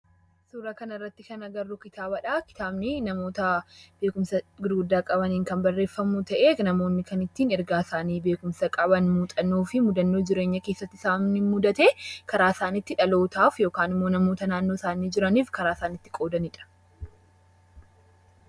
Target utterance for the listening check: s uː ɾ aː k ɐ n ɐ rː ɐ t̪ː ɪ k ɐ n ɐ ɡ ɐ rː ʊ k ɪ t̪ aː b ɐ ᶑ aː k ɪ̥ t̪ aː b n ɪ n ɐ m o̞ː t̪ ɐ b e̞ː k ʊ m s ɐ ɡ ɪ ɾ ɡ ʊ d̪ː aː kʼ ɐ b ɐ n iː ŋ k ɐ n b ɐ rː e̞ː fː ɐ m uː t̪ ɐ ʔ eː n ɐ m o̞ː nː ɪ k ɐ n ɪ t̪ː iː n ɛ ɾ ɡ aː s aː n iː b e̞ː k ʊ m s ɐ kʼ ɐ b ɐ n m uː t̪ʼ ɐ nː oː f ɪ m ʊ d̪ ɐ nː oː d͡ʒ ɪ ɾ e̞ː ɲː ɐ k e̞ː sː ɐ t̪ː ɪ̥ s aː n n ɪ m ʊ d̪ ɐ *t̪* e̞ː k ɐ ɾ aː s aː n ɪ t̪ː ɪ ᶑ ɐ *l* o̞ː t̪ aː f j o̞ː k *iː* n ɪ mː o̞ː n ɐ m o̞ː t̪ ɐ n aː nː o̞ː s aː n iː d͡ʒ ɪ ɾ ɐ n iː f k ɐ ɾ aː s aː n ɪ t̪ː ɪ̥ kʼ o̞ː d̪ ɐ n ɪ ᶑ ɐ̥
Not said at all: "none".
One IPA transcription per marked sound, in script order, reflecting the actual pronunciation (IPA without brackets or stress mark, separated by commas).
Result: t̪, l, aː